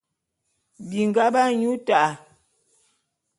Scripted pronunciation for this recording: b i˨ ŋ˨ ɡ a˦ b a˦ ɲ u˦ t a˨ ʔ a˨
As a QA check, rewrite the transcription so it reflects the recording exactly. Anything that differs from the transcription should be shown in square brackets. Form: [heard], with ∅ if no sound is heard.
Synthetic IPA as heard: b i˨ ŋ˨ ɡ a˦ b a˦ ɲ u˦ t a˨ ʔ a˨